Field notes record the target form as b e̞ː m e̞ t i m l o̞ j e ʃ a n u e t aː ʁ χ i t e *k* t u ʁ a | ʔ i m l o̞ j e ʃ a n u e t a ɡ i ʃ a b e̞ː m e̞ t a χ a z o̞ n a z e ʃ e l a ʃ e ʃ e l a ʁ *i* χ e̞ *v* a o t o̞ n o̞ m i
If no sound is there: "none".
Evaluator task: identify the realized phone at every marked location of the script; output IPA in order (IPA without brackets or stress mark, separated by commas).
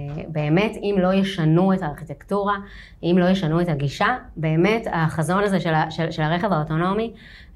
k, e, v